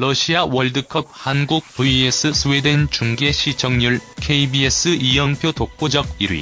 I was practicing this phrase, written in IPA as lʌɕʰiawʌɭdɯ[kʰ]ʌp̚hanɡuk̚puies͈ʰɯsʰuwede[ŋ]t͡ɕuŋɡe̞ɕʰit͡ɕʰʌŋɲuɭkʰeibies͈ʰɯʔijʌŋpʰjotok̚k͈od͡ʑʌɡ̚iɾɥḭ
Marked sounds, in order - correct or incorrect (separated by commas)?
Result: correct, incorrect